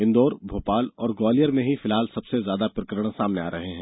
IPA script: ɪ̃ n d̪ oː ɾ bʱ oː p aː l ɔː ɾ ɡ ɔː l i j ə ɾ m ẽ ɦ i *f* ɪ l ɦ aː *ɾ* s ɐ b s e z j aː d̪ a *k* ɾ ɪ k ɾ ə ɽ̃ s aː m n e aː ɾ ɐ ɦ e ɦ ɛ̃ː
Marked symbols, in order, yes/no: yes, no, no

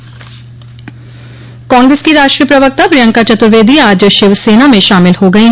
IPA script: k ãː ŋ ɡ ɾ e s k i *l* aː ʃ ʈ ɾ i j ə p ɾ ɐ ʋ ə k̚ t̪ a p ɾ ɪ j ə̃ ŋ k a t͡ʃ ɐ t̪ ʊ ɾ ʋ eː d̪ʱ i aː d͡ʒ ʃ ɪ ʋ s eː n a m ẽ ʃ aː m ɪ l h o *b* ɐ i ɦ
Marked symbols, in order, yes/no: no, no

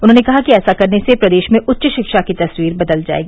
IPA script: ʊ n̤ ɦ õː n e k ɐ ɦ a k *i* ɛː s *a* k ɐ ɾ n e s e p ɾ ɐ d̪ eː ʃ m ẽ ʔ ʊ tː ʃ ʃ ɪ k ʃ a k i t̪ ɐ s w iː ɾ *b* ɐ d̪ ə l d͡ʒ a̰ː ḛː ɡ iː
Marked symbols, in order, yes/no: yes, yes, yes

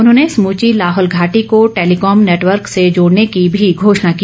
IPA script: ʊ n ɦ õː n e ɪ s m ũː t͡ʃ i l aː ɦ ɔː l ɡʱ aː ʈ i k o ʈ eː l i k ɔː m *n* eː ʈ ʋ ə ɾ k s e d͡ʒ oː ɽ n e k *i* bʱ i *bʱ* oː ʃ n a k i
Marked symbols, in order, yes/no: yes, yes, no

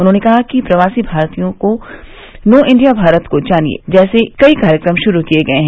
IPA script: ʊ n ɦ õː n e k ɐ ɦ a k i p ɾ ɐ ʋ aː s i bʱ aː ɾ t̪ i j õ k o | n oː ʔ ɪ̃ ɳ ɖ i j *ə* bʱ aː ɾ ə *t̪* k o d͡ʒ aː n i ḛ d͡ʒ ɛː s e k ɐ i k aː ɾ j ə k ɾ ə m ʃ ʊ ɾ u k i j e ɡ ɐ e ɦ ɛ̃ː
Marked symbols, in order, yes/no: no, yes

